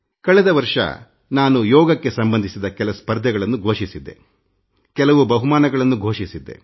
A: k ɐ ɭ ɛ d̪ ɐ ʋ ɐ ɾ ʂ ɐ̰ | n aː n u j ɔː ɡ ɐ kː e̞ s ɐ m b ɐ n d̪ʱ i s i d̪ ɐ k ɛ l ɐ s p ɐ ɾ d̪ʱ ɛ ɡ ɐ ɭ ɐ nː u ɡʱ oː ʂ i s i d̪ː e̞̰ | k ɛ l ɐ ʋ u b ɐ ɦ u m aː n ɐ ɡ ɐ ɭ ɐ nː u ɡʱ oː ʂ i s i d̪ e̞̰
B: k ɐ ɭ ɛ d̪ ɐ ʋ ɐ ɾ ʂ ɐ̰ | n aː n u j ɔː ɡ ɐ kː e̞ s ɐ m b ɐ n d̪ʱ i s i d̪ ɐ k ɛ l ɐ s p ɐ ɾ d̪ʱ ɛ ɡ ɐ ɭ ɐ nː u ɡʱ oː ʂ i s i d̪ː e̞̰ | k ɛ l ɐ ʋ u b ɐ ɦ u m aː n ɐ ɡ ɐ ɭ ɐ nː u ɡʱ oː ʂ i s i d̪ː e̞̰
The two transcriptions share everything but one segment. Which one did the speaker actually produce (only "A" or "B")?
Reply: B